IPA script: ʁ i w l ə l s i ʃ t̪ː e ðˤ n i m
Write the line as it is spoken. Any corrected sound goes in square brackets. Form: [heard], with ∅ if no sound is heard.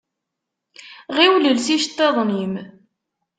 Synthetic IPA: ʁ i w l ə l s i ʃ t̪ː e ðˤ n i m